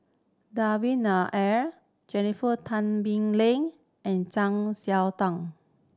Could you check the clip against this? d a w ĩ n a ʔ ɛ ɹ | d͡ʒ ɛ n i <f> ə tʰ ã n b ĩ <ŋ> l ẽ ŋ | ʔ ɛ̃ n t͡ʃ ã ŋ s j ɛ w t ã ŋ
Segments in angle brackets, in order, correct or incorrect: correct, correct

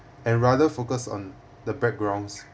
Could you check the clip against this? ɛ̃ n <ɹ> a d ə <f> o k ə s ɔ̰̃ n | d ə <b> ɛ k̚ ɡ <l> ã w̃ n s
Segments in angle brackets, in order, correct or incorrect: correct, correct, correct, incorrect: ɹ

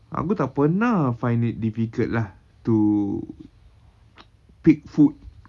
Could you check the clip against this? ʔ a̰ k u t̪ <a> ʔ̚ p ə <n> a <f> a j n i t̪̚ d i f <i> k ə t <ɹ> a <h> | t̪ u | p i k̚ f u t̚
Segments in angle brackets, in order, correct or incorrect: correct, correct, correct, correct, incorrect: l, correct

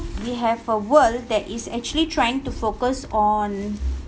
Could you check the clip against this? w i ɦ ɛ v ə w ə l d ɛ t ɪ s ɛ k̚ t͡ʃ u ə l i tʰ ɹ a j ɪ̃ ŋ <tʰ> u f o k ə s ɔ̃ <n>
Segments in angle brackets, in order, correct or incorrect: incorrect: t, correct

